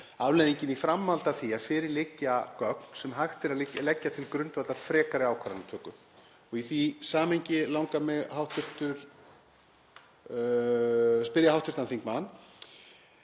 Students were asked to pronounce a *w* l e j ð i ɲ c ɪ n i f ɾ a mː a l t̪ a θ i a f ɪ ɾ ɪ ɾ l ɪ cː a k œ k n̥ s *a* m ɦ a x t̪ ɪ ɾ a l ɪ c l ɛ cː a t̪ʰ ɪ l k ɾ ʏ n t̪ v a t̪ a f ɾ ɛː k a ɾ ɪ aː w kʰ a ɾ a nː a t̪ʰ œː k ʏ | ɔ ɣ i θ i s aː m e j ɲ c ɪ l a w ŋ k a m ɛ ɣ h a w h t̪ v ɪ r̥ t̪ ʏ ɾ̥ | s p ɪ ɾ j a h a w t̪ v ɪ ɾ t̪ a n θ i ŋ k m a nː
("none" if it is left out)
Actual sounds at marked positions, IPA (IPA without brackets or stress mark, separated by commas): v, ɛ